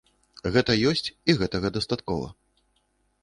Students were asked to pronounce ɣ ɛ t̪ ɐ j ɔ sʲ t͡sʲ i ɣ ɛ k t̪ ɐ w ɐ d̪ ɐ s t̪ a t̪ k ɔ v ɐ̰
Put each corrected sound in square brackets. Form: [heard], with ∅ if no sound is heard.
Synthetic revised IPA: ɣ ɛ t̪ ɐ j ɔ sʲ t͡sʲ i ɣ ɛ [∅] t̪ ɐ [ɣ] ɐ d̪ ɐ s t̪ a t̪ k ɔ v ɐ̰